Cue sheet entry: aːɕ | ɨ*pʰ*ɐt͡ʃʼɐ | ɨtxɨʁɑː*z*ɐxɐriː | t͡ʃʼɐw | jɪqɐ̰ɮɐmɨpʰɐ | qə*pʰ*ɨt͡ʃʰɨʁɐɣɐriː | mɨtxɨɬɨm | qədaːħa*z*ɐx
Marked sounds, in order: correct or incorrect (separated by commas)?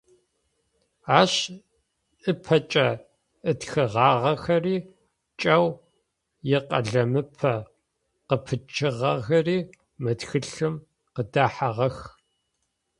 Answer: correct, incorrect, correct, incorrect